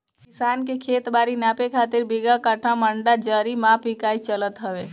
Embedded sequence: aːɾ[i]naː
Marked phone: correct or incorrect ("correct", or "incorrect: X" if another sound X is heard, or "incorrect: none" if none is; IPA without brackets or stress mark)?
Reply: correct